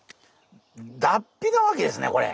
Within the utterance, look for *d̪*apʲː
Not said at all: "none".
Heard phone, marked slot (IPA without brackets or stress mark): d̪